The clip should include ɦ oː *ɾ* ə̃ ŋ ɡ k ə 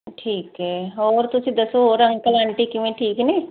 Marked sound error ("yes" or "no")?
no